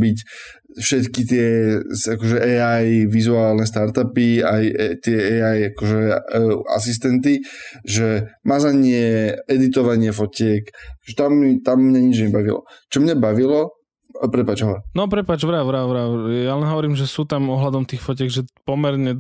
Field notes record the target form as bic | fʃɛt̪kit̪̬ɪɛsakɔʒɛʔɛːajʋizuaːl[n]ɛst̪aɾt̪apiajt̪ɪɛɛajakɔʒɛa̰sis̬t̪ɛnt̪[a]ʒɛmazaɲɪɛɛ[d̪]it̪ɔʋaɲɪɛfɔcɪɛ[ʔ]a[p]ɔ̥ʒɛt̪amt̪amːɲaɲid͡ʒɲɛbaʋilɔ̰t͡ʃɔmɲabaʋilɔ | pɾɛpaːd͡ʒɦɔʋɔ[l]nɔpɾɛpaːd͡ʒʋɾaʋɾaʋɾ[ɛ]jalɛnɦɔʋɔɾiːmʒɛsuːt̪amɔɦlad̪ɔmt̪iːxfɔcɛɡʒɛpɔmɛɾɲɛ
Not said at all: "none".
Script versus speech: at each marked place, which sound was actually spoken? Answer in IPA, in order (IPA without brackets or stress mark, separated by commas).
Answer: n, i, d̪, k, k, ɾ, a